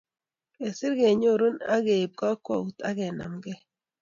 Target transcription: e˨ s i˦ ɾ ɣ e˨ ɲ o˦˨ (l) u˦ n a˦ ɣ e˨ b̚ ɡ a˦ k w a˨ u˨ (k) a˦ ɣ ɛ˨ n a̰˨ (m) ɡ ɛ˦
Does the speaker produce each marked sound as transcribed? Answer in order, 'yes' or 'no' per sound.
no, no, yes

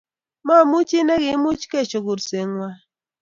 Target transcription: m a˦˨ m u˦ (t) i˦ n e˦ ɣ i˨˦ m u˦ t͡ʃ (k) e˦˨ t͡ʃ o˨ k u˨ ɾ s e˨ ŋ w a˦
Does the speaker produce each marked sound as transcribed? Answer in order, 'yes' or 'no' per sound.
no, yes

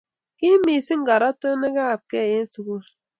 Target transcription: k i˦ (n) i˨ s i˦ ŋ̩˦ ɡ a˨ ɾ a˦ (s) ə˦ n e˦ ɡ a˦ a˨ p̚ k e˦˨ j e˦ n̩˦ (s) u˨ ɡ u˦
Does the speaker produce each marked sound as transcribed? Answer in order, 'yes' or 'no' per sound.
no, no, yes

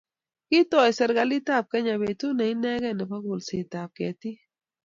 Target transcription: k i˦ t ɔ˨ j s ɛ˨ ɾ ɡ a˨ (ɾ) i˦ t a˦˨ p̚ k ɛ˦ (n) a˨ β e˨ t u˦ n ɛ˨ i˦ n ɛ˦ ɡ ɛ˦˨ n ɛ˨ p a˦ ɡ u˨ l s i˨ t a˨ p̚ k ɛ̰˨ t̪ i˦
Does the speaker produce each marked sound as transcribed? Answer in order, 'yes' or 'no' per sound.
no, no

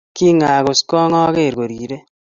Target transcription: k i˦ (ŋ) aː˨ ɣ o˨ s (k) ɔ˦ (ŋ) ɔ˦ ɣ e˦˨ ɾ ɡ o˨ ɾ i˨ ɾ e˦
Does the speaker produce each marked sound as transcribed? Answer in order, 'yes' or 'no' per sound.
yes, yes, yes

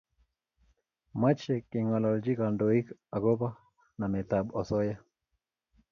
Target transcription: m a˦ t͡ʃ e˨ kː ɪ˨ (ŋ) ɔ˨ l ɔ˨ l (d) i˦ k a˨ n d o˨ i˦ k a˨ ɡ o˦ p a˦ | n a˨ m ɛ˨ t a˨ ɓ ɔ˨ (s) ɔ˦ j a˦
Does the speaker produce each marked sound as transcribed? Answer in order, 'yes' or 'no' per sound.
yes, no, yes

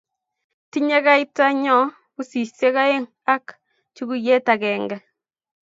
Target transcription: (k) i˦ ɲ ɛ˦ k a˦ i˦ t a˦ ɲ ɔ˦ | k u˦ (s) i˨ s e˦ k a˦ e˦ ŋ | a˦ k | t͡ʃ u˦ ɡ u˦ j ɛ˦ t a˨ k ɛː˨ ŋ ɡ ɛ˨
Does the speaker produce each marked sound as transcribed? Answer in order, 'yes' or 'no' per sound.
no, yes

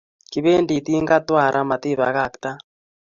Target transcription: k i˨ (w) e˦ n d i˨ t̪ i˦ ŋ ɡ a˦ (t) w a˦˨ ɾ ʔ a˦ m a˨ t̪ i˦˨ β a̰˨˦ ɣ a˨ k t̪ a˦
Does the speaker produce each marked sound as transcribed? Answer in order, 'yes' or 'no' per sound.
no, yes

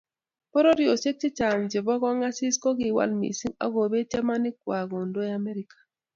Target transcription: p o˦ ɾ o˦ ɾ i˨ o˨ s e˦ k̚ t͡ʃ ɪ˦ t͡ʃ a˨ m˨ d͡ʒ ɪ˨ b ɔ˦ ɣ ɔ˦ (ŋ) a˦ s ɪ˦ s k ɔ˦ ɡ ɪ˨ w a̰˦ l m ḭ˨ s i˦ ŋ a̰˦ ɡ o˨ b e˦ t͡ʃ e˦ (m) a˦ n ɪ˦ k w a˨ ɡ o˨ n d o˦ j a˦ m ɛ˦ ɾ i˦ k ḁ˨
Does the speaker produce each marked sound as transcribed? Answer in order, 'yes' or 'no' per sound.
yes, yes

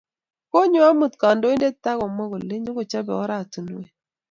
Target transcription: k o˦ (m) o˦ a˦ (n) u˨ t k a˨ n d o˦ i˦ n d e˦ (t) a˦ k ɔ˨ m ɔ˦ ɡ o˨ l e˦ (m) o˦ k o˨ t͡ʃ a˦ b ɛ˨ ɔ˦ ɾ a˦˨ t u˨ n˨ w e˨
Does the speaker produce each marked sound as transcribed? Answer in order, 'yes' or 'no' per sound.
no, no, yes, no

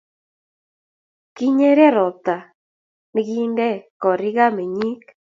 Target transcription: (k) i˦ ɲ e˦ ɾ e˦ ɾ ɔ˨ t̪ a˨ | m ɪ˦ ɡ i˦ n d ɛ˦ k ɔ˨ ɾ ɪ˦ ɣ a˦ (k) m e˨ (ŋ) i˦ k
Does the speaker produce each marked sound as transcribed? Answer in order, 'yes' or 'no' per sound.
yes, no, no

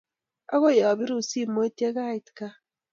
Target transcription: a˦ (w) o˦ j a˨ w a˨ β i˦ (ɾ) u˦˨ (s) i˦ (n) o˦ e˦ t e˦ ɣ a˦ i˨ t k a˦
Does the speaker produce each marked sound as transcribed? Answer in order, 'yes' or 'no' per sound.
no, yes, yes, no

